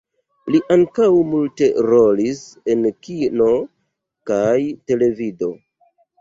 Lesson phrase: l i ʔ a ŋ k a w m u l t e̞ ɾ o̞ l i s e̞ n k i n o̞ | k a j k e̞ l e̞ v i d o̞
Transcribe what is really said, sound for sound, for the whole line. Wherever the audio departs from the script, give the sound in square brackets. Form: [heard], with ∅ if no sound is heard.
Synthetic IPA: l i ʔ a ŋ k a w m u l t e̞ ɾ o̞ l i s e̞ n k i n o̞ | k a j [t] e̞ l e̞ v i d o̞